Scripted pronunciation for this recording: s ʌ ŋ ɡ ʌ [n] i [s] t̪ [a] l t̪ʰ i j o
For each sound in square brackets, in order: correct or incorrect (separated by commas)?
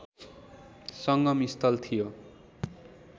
incorrect, correct, incorrect